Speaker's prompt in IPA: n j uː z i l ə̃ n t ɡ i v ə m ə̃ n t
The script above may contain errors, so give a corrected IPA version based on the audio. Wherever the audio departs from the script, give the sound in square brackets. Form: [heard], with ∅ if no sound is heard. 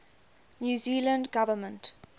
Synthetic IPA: n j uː z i l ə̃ n [d] ɡ [a] v ə m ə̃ n t